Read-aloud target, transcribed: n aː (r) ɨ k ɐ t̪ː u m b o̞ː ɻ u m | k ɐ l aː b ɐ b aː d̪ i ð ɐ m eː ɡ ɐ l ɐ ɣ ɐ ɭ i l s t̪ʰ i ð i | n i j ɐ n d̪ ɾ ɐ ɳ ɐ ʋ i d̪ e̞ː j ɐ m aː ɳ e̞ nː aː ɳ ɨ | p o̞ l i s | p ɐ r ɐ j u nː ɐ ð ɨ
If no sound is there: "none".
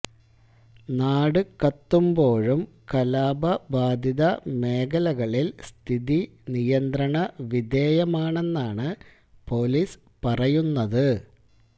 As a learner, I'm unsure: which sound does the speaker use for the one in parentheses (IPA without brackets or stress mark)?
ɽ